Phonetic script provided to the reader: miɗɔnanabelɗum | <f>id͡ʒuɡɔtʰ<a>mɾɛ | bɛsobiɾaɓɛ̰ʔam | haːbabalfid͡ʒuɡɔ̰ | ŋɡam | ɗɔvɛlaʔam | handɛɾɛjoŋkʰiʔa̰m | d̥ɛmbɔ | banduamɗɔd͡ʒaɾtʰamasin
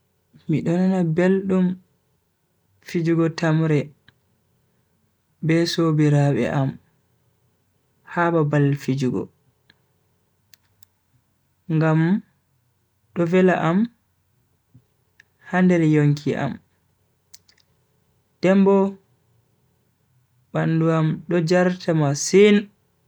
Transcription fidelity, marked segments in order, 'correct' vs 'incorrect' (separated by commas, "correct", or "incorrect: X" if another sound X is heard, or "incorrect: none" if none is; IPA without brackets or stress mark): correct, correct